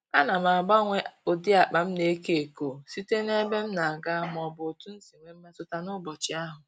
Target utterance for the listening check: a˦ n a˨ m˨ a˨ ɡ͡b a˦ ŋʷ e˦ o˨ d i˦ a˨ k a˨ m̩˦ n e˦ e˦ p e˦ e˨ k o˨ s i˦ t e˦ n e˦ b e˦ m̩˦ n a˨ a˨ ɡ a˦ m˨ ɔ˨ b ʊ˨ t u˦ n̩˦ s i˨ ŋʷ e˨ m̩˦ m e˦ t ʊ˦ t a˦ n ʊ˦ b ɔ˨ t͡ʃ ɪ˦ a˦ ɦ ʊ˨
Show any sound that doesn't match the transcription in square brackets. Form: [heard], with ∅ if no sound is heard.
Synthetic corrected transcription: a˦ n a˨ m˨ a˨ ɡ͡b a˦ ŋʷ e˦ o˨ d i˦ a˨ [k͡p] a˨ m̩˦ n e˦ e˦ [k] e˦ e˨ k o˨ s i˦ t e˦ n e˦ b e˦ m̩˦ n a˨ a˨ ɡ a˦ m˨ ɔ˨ b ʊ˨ t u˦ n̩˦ s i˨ ŋʷ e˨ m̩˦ m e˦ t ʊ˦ t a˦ n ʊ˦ b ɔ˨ t͡ʃ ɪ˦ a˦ ɦ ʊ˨